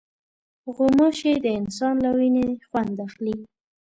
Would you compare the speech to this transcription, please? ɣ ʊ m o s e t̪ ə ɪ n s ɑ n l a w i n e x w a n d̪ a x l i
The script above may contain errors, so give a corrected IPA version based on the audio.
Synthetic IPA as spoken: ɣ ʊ m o ʃ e d̪ ə ɪ n s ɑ n l a w i n e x w a n d̪ a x l i